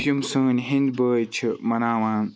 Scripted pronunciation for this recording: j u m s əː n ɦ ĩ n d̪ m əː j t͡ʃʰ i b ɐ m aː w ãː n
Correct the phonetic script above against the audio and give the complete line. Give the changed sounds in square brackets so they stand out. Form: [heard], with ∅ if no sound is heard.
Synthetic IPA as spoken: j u m s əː n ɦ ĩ n d̪ [b] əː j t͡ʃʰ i [m] ɐ [n] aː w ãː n